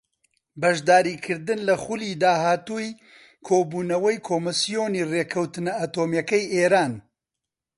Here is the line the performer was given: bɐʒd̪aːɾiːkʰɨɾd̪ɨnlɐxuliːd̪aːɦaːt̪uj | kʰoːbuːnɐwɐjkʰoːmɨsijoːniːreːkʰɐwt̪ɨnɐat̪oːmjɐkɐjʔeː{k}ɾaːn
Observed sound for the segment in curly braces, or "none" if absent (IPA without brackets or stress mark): none